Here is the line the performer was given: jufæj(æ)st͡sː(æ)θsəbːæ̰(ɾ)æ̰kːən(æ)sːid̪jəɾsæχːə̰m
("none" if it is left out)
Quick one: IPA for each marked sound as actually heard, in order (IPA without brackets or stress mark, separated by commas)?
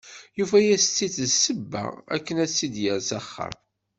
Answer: æ, i, none, æ